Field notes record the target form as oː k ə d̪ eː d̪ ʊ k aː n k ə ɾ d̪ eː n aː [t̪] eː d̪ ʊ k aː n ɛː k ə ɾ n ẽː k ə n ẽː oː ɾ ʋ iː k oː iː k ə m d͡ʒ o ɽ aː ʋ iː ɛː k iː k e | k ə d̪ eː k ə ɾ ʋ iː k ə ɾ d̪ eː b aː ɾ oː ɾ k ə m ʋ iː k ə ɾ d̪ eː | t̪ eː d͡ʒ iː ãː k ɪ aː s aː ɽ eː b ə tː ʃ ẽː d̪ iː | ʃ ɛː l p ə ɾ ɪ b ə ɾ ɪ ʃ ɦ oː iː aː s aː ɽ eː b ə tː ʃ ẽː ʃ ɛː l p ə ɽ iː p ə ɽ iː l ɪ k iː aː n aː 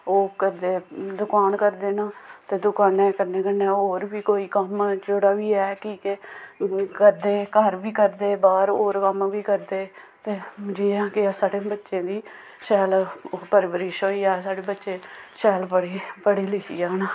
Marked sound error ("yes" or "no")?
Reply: no